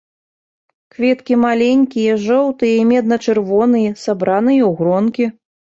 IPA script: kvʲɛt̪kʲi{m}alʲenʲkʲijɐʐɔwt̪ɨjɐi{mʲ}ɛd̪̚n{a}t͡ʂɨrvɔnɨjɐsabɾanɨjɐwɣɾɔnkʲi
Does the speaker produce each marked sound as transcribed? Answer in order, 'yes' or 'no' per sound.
yes, yes, no

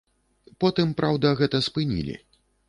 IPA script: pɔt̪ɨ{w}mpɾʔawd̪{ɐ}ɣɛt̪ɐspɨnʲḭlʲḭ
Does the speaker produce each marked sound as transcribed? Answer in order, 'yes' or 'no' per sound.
no, yes

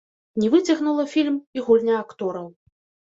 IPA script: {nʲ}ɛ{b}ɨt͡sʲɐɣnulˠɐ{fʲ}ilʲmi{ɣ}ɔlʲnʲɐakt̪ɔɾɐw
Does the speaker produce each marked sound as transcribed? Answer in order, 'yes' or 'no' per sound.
yes, no, yes, yes

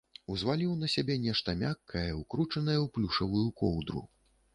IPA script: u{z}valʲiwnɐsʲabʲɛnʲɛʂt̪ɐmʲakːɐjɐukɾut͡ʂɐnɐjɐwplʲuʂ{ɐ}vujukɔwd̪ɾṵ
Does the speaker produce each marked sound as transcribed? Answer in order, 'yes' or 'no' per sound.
yes, yes

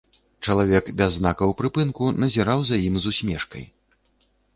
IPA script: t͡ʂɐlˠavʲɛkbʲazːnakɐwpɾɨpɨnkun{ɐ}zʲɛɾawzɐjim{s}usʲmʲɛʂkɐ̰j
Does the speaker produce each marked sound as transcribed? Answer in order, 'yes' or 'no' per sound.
yes, no

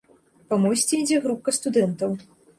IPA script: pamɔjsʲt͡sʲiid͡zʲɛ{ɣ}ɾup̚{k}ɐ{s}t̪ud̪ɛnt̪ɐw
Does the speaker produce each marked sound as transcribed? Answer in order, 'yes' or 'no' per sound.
yes, yes, yes

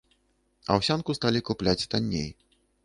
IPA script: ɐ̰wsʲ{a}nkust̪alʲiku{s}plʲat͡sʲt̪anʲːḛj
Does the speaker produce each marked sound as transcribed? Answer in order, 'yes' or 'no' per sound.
yes, no

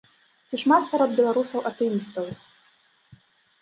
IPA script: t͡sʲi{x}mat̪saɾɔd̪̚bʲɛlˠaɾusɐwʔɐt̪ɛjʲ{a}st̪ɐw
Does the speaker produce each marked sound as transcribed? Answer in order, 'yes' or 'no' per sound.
no, no

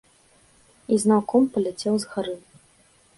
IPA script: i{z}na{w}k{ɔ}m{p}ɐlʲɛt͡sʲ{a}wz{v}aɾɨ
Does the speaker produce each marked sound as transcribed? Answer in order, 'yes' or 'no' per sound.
yes, yes, yes, yes, no, no

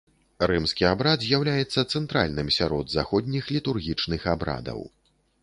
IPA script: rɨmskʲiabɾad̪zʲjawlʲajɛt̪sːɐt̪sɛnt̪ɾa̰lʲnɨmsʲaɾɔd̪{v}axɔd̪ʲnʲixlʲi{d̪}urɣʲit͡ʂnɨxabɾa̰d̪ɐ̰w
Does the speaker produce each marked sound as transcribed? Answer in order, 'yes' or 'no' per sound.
no, no

